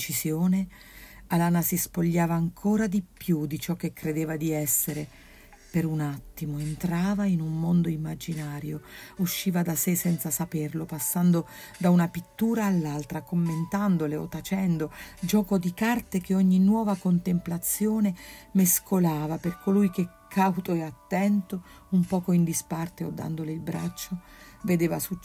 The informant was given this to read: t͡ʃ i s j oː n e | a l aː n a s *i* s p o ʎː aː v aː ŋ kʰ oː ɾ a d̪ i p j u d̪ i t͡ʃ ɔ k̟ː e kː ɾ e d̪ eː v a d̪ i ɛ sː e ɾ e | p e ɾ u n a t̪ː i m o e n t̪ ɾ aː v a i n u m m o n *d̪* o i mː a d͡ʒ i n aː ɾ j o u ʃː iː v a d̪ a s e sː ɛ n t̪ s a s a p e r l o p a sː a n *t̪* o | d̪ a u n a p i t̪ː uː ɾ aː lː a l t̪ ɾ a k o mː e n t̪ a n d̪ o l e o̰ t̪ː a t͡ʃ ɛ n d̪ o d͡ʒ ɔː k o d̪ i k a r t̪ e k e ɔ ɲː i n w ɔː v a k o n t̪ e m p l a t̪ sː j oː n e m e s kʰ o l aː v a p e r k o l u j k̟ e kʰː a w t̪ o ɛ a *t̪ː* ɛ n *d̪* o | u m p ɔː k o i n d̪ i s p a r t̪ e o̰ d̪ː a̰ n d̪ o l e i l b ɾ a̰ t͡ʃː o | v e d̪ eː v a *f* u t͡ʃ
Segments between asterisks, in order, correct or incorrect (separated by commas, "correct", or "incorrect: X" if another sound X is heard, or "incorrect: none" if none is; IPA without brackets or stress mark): correct, correct, incorrect: d̪, correct, incorrect: t̪, incorrect: s